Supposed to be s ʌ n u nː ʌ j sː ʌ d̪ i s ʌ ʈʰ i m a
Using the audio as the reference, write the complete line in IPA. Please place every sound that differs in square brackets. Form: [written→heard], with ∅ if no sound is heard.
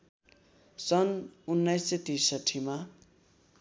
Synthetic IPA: s ʌ n u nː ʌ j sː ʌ [d̪→t̪] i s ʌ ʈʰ i m a